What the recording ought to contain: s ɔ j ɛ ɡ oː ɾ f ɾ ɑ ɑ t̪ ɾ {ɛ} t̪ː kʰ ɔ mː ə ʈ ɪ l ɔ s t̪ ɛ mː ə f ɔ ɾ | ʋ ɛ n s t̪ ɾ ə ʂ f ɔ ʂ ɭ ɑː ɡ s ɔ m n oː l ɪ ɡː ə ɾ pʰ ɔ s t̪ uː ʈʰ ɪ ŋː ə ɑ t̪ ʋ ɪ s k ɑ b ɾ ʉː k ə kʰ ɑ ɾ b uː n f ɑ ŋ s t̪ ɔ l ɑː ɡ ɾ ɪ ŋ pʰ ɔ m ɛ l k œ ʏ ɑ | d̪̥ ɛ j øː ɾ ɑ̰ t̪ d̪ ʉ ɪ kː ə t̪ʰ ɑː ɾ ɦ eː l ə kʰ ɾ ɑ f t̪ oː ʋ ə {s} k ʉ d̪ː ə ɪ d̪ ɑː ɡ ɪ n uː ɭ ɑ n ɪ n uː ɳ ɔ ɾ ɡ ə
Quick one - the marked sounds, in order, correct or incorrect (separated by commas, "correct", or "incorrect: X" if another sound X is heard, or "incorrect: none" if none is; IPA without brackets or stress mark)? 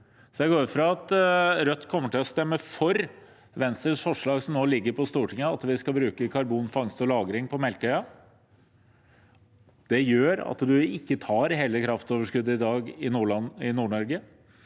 incorrect: œ, incorrect: ʂ